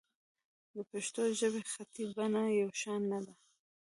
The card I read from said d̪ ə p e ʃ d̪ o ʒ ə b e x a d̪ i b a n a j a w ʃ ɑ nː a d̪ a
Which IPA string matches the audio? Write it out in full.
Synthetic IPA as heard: d̪ ə p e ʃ t̪ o ʒ ə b e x a t̪ i b a n a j a w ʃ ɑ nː a d̪ a